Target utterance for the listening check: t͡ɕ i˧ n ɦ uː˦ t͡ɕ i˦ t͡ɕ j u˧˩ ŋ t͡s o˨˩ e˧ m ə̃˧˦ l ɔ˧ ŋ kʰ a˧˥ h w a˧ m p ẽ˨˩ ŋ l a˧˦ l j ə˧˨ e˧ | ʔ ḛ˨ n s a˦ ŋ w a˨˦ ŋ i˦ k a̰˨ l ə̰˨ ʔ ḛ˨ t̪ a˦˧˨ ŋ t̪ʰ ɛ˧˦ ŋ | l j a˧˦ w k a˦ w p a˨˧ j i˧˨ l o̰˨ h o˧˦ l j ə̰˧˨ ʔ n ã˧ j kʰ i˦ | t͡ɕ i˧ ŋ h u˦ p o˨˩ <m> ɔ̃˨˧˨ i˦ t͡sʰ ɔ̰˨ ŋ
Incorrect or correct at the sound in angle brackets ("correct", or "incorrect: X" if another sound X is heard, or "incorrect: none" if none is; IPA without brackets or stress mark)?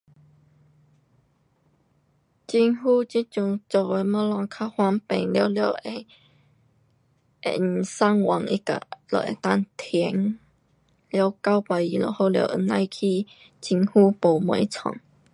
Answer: correct